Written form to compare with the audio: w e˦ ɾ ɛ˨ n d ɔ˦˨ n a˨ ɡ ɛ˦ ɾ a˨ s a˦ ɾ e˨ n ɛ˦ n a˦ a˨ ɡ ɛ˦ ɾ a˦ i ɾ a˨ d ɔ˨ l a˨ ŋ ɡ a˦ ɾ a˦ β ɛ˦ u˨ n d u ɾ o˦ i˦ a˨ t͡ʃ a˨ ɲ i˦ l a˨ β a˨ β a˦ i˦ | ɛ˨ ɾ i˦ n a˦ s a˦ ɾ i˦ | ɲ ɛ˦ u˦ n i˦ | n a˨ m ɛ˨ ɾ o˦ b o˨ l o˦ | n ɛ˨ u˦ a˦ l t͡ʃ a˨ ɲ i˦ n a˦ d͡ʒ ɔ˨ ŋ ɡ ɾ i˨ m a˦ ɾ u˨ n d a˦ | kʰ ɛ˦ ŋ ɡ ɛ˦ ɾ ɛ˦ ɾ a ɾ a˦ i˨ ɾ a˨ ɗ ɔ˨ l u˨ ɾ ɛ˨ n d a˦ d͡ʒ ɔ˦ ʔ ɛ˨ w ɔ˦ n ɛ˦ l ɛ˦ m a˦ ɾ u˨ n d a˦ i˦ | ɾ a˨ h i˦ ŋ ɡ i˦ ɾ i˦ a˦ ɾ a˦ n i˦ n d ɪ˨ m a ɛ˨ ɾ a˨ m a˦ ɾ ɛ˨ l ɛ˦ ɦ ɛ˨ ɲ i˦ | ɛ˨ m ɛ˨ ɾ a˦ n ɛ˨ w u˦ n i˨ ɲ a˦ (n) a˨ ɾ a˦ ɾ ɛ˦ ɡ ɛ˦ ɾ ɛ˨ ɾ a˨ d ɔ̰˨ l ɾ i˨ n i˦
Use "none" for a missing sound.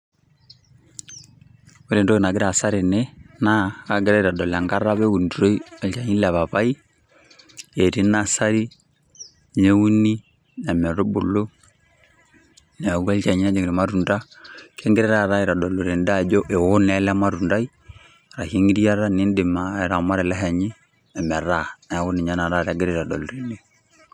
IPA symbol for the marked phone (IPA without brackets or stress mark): n